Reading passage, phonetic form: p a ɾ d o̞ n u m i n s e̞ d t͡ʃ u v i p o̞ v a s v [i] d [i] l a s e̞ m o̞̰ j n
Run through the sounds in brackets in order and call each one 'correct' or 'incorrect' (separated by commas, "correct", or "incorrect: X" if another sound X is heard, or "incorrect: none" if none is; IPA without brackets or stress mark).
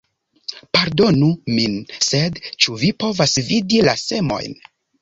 correct, correct